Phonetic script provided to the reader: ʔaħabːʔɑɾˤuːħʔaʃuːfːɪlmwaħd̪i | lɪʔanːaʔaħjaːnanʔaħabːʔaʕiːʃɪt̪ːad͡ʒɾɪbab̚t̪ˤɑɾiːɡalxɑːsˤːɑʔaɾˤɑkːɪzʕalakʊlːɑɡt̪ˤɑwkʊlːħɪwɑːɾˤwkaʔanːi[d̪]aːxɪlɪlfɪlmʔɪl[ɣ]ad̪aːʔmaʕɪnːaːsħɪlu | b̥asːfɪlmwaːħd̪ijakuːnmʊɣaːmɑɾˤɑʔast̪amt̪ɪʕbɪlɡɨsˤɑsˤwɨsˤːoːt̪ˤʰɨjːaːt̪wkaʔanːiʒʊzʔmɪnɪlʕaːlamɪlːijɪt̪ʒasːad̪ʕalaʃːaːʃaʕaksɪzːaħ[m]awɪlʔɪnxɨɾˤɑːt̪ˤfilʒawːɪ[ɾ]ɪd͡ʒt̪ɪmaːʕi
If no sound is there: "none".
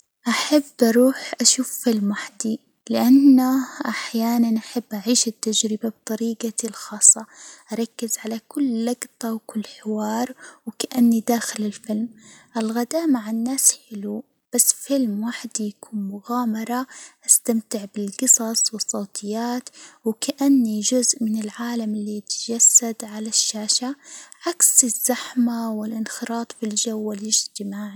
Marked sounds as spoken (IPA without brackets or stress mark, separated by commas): d̪, ɣ, m, l